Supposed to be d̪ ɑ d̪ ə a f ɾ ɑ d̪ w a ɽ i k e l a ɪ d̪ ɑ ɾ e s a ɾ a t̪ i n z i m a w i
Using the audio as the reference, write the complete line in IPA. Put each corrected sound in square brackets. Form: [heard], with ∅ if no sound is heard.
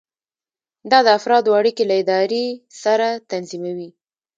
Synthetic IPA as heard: d̪ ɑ d̪ ə a f ɾ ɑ d̪ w a ɽ i k e l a ɪ d̪ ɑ ɾ e s a ɾ a t̪ [a] n z i m a w i

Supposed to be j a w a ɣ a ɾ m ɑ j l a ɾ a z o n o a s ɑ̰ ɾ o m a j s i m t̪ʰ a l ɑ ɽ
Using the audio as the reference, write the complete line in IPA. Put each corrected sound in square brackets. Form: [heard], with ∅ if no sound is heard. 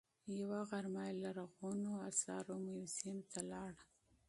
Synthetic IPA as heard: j a w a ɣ a ɾ m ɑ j l a ɾ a [ɣ] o n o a s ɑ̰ ɾ o m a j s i m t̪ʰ a l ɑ ɽ

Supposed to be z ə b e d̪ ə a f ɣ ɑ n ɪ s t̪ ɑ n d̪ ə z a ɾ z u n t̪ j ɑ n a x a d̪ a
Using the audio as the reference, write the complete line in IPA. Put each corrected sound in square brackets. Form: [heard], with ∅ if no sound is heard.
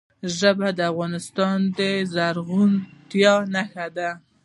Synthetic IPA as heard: [ʒ] ə b [a] d̪ ə a f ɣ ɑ n ɪ s t̪ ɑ n d̪ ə z a ɾ [ɣ] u n t̪ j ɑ n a x a d̪ a

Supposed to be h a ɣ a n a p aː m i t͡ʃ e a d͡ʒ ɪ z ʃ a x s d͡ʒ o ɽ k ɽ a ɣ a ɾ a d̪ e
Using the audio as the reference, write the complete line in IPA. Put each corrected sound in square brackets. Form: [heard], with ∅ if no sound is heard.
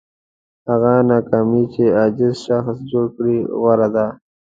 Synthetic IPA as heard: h a ɣ a n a [k] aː m i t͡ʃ e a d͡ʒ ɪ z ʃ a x s d͡ʒ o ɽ k ɽ [i] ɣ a ɾ a d̪ [a]

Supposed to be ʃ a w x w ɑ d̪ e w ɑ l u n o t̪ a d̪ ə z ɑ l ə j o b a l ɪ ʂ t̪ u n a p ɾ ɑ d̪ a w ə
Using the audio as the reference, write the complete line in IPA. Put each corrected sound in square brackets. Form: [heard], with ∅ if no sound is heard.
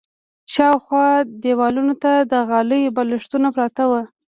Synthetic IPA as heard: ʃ [ɑ] w x w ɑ d̪ e w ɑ l u n o t̪ a d̪ ə [ɣ] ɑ l ə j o b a l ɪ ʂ t̪ u n a p ɾ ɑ [t̪] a w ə

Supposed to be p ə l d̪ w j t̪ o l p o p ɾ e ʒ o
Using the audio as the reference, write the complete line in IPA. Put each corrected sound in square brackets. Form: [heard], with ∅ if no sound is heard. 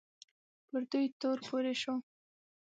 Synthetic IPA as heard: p ə [ɾ] d̪ [u] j t̪ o [ɾ] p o [∅] ɾ e [ʃ] o

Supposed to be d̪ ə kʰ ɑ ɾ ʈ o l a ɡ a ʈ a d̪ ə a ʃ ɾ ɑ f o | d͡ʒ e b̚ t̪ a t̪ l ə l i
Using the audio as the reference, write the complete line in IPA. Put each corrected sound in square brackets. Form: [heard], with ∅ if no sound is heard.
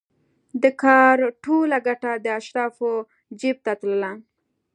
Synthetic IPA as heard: d̪ ə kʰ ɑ ɾ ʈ o l a ɡ a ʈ a d̪ ə a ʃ ɾ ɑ f o | d͡ʒ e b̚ t̪ a t̪ l ə l [a]

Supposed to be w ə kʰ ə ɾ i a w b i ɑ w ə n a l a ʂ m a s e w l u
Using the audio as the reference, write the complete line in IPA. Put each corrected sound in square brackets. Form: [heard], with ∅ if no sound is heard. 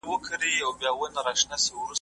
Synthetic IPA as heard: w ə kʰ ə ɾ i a w b [j] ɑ w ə n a [ɾ] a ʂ [n] a s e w [ɾ] u

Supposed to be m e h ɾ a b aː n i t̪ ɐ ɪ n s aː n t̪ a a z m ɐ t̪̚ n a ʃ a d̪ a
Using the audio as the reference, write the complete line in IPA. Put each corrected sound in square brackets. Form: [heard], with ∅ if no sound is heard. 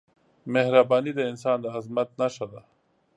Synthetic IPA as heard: m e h ɾ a b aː n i [d̪] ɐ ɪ n s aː n [d̪] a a z m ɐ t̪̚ n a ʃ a d̪ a

